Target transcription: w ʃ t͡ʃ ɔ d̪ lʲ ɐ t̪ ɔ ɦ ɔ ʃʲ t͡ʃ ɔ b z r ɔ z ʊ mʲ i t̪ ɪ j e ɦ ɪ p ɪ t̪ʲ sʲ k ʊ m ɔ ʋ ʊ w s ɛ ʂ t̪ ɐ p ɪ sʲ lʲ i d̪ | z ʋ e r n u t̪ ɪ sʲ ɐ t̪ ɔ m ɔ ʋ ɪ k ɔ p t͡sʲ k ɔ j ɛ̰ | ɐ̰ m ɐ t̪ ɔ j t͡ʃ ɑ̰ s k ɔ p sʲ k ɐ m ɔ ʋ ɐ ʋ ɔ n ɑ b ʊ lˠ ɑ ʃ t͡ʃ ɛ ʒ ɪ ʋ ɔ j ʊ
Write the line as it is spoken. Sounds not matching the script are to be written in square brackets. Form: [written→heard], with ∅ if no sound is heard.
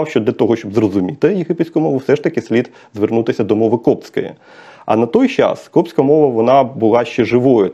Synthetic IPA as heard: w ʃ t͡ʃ ɔ d̪ lʲ ɐ t̪ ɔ ɦ ɔ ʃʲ t͡ʃ ɔ b z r ɔ z ʊ mʲ i t̪ ɪ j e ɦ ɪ p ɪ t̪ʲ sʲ k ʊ m ɔ ʋ ʊ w s ɛ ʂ t̪ ɐ [p→k] ɪ sʲ lʲ i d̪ | z ʋ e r n u t̪ ɪ sʲ ɐ [t̪→d̪] ɔ m ɔ ʋ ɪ k ɔ p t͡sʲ k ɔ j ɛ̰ | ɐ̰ [m→n] ɐ t̪ ɔ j t͡ʃ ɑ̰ s k ɔ p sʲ k ɐ m ɔ ʋ ɐ ʋ ɔ n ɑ b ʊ lˠ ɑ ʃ t͡ʃ ɛ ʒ ɪ ʋ ɔ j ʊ